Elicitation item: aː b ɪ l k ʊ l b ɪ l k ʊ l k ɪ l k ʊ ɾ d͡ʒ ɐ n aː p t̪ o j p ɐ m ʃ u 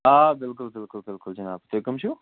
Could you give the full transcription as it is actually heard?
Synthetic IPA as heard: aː b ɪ l k ʊ l b ɪ l k ʊ l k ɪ l k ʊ l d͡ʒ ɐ n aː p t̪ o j k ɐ m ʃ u